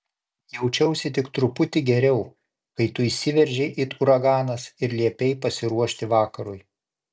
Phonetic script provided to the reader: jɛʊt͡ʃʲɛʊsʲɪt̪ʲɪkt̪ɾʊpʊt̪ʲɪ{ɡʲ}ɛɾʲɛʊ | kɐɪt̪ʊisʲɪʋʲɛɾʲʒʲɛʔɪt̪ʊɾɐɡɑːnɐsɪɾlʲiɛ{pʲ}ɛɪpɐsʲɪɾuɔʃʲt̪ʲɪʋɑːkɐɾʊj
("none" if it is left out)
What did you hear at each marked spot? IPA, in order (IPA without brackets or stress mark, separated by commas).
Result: ɡʲ, pʲ